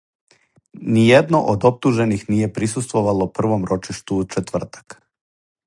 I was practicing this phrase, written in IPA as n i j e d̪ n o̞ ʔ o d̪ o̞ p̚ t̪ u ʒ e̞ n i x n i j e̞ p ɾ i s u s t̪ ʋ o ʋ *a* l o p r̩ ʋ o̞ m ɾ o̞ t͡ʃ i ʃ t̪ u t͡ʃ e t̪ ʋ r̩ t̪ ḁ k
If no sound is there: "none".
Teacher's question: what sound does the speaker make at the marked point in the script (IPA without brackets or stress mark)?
a